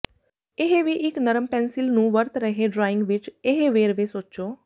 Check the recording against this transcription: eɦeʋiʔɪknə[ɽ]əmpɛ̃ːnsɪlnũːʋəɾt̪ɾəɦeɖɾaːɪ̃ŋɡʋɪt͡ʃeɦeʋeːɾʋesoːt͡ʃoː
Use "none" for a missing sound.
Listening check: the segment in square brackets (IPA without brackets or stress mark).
ɾ